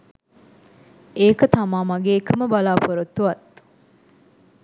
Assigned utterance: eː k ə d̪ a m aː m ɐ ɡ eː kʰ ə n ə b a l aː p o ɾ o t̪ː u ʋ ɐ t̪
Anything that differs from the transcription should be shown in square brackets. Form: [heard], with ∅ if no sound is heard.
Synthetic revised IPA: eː k ə [t̪] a m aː m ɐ ɡ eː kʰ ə [m] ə b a l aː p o ɾ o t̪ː u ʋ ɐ t̪